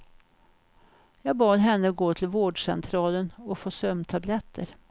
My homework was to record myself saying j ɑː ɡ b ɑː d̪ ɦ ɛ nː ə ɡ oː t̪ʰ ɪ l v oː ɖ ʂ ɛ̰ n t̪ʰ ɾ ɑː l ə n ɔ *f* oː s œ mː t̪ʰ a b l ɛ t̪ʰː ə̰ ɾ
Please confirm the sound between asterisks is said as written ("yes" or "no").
yes